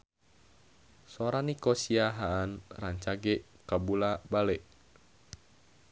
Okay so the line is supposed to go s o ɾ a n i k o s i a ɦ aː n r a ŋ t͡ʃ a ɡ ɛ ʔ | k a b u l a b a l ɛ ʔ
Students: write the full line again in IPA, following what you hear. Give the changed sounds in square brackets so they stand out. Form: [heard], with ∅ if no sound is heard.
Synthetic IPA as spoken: s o ɾ a n i k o s i a ɦ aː n r a [ɲ] t͡ʃ a ɡ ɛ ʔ | k a b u l a b a l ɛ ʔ